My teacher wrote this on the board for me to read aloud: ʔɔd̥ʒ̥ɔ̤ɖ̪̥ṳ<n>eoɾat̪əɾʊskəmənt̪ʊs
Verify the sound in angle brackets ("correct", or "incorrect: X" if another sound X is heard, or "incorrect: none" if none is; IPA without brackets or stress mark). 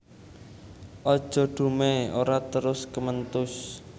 incorrect: m